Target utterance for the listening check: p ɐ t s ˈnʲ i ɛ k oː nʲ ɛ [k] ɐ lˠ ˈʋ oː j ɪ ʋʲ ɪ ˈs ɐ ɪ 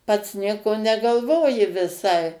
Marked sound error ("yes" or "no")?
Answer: yes